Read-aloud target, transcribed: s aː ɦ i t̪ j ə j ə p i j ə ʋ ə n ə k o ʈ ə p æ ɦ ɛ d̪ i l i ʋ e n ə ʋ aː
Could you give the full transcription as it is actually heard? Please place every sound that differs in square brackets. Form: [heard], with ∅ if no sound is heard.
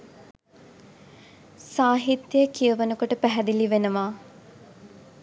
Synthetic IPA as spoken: s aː ɦ i t̪ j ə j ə [k] i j ə ʋ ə n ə k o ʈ ə p æ ɦ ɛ d̪ i l i ʋ e n ə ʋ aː